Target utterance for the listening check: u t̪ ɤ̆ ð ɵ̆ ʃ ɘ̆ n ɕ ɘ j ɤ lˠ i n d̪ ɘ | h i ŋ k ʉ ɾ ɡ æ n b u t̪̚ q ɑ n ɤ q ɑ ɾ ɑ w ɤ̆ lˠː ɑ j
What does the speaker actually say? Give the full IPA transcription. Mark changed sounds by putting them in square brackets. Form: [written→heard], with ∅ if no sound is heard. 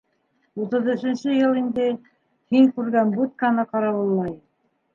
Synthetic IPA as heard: u t̪ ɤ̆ ð ɵ̆ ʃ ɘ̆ n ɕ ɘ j ɤ lˠ i n d̪ ɘ | h i ŋ k ʉ ɾ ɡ æ n b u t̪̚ [q→k] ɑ n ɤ q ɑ ɾ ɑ w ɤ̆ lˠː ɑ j